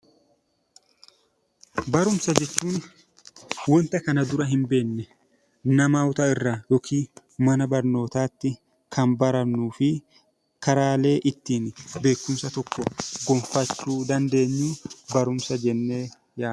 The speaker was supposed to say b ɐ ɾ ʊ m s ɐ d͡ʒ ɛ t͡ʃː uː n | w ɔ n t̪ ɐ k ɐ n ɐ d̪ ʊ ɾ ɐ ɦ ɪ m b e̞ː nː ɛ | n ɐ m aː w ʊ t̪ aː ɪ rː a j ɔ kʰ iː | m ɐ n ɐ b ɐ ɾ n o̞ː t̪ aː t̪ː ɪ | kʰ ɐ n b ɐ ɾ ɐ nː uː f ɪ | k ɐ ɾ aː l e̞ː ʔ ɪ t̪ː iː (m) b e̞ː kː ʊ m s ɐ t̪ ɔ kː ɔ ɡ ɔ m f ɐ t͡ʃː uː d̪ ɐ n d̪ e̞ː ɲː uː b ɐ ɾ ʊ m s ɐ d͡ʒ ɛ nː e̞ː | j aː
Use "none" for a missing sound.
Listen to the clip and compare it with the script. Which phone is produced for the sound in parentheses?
n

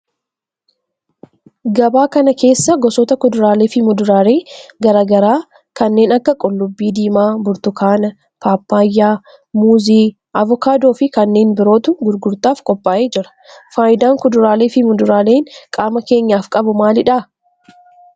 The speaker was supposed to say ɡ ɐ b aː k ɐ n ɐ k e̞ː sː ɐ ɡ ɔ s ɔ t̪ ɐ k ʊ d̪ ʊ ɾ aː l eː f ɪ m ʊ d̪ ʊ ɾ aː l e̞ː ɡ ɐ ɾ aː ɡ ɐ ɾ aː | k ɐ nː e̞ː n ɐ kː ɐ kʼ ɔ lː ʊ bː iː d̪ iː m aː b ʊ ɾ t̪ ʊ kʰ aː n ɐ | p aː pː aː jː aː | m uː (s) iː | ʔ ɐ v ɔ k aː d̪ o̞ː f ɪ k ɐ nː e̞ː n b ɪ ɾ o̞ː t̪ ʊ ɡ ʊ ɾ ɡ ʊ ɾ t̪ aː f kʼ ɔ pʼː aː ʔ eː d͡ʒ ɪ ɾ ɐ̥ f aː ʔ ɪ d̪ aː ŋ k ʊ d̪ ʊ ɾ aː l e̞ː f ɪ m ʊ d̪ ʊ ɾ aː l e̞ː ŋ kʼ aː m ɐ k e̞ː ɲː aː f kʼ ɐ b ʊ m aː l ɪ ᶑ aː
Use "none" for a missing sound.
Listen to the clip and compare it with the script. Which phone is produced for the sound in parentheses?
z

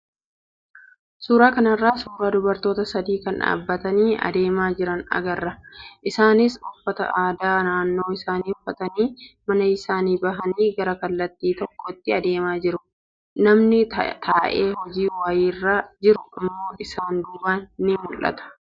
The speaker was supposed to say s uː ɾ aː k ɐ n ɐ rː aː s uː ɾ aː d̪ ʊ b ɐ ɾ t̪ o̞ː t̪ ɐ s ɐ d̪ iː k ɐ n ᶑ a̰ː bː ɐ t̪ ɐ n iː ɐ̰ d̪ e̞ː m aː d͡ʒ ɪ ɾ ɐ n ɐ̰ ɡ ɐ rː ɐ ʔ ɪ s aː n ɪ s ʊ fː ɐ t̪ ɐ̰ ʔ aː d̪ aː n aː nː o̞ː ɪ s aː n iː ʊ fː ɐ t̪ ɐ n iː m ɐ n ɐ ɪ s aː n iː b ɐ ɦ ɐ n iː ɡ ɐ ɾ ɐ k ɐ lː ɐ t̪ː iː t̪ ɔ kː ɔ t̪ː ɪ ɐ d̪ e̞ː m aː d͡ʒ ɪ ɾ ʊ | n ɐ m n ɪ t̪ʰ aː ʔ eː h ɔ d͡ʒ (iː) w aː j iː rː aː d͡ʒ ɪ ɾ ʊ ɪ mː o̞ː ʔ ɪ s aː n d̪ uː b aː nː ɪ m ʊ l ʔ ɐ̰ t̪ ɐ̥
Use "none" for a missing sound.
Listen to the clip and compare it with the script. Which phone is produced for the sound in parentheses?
iː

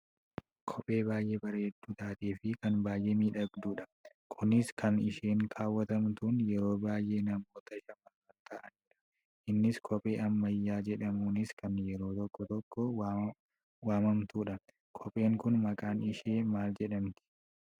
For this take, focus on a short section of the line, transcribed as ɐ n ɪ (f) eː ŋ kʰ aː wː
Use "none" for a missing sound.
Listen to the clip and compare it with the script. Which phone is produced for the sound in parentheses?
ʃ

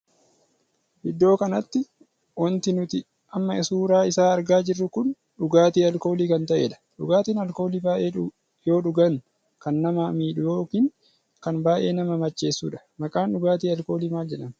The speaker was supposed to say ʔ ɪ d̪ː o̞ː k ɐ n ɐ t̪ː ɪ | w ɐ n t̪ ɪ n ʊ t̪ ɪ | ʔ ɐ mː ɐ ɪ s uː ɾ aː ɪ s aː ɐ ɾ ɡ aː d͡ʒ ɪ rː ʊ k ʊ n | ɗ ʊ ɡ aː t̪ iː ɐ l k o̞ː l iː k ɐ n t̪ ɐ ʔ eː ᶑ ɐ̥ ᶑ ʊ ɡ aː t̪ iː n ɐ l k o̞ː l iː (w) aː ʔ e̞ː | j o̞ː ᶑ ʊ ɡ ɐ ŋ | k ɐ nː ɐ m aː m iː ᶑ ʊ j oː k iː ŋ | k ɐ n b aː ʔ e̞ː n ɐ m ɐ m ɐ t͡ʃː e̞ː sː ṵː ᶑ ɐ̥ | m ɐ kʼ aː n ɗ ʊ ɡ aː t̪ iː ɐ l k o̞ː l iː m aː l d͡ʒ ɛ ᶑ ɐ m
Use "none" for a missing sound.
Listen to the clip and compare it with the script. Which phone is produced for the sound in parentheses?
b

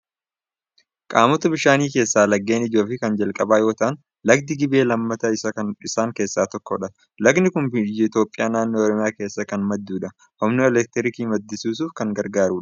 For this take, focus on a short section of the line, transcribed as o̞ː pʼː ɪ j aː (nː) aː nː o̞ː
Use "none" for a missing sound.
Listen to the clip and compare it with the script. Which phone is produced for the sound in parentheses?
n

